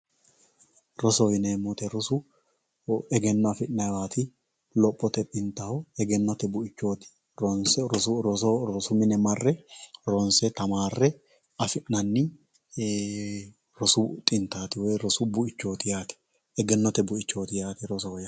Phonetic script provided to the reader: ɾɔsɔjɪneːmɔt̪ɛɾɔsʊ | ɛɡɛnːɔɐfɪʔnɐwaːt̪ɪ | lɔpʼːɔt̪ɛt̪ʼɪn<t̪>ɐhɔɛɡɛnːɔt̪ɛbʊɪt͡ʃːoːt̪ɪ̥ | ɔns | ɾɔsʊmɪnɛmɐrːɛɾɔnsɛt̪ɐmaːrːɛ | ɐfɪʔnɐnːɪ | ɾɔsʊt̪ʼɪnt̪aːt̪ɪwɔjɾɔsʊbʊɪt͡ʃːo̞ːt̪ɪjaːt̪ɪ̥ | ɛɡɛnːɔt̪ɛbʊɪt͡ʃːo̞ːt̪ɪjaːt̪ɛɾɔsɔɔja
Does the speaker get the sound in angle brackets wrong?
no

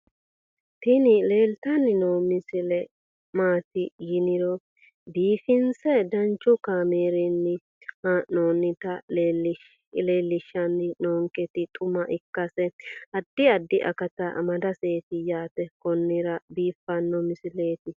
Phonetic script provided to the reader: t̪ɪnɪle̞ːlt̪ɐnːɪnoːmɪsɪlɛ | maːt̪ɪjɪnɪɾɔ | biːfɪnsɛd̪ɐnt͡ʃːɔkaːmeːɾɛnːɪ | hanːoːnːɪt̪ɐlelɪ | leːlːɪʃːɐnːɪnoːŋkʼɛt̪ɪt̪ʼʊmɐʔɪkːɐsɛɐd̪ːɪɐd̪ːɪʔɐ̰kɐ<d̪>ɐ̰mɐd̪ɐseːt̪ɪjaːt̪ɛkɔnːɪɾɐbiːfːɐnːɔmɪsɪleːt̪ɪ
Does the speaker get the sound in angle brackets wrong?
yes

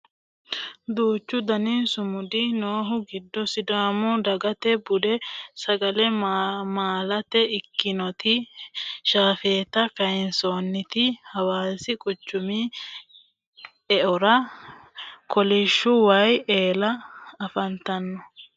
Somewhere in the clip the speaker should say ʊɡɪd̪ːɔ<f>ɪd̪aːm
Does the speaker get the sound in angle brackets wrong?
yes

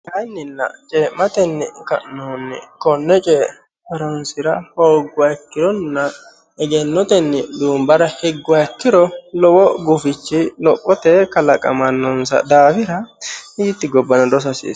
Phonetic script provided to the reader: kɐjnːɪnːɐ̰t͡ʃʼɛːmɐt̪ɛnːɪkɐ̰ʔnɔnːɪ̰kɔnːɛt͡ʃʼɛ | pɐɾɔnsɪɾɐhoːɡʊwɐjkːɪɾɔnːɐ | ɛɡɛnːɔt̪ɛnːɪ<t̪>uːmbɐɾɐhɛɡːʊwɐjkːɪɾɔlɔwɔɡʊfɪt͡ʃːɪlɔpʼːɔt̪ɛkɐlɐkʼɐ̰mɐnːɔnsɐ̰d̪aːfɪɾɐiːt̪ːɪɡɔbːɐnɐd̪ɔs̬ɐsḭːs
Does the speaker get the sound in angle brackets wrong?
yes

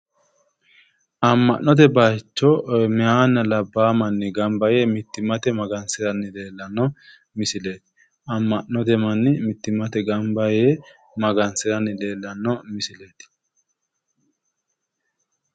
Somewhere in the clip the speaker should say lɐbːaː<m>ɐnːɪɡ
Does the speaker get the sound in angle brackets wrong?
no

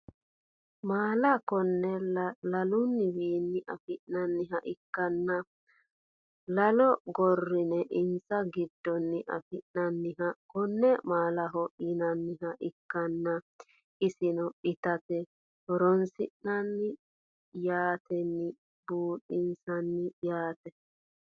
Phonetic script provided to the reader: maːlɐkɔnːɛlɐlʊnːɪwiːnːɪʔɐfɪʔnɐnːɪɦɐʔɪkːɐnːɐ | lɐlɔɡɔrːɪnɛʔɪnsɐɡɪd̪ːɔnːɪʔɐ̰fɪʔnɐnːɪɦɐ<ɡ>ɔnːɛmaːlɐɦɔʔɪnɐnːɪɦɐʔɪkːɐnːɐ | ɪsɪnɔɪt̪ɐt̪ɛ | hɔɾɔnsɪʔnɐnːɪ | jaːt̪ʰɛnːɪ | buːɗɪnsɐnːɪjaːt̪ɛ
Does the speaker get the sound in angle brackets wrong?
yes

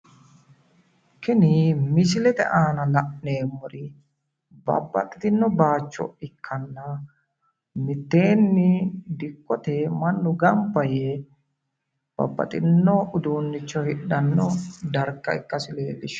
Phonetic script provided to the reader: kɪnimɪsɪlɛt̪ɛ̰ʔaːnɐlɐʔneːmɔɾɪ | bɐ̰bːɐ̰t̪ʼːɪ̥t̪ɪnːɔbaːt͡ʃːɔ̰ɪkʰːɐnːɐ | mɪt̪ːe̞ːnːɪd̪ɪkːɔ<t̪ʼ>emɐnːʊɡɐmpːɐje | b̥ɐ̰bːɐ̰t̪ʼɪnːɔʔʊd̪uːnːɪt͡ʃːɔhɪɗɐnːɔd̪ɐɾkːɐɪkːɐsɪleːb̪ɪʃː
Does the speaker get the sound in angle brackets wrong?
yes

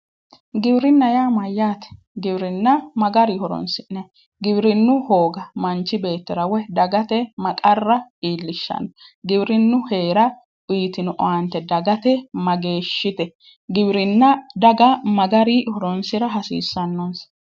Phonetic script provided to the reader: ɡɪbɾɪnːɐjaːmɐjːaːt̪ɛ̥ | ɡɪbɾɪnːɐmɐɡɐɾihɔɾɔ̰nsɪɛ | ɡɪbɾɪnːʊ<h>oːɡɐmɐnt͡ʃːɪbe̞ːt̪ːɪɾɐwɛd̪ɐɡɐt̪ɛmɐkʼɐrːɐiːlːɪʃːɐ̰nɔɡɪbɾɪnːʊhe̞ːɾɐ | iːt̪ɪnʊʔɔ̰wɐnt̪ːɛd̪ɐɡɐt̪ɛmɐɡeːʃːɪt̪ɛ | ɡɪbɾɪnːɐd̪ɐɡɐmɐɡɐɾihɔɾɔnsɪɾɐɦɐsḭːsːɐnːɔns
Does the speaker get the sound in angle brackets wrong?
no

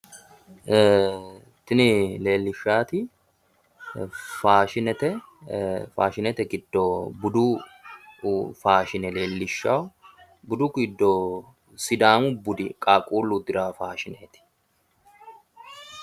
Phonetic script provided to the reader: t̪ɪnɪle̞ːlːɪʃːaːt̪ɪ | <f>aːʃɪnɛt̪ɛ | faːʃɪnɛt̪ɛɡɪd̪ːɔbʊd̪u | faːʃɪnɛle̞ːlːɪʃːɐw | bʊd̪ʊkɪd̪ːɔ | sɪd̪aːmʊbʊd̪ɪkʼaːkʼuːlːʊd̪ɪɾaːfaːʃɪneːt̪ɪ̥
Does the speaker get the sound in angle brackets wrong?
no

